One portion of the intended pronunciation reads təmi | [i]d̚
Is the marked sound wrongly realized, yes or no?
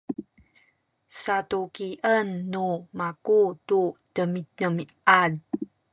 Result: yes